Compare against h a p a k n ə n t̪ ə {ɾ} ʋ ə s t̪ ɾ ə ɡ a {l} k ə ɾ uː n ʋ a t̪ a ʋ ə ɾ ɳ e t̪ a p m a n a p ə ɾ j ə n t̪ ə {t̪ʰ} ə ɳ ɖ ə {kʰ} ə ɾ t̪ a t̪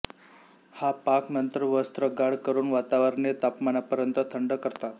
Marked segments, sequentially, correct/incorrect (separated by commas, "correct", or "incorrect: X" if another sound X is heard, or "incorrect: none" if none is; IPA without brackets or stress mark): correct, incorrect: ɽ, correct, incorrect: k